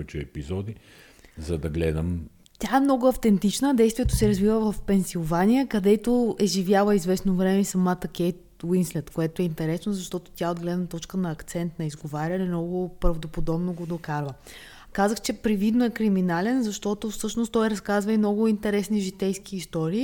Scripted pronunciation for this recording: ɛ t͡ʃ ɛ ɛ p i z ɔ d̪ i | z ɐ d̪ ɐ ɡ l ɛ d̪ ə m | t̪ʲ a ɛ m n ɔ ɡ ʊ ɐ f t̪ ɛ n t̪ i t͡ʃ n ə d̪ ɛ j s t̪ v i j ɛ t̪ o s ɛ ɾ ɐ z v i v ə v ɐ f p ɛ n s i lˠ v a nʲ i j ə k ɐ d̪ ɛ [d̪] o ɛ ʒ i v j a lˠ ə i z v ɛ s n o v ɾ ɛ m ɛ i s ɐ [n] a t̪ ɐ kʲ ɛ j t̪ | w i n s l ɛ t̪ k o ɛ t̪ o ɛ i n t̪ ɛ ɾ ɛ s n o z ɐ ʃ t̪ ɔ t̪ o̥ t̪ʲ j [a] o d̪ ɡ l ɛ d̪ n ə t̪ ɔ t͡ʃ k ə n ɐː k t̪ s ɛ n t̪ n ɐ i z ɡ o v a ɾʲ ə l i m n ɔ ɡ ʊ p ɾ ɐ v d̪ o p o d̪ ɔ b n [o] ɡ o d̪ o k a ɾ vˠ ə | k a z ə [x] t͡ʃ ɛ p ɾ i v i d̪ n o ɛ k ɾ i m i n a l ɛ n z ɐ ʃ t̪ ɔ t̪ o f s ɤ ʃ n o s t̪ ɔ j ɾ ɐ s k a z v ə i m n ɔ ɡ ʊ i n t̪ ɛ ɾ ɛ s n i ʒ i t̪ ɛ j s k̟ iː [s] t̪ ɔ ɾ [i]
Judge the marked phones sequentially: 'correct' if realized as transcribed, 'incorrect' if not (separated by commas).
incorrect, incorrect, correct, correct, correct, correct, incorrect